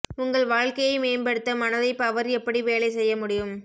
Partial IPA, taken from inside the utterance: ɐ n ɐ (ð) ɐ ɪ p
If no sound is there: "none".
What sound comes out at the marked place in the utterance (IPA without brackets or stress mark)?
ð